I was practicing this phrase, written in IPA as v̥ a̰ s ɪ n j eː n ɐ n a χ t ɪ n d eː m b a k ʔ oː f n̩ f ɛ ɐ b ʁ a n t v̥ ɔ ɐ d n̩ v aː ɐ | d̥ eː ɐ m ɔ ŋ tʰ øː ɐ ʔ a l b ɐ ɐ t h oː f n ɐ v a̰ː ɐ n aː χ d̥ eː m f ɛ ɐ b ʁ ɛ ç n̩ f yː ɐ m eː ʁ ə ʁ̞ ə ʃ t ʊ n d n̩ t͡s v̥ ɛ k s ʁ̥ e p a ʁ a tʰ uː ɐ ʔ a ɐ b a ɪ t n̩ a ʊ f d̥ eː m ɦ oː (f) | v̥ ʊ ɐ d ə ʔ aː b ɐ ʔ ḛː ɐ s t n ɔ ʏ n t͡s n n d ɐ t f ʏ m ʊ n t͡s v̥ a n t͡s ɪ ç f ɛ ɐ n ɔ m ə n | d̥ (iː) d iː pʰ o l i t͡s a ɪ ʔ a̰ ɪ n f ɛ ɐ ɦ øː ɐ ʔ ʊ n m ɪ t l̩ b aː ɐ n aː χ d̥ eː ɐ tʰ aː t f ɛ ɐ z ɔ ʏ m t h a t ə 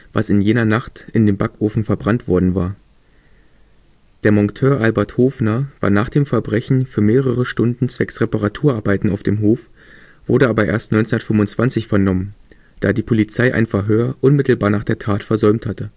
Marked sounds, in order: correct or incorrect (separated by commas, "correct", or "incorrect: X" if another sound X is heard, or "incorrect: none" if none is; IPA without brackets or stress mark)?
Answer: correct, incorrect: aː